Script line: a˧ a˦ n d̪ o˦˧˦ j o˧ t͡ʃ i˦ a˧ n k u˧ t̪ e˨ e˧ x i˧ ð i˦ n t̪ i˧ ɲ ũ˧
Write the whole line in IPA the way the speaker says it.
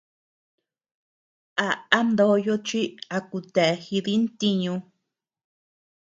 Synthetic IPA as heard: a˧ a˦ n d̪ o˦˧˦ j o˧ t͡ʃ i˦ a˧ k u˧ t̪ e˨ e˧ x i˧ ð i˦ n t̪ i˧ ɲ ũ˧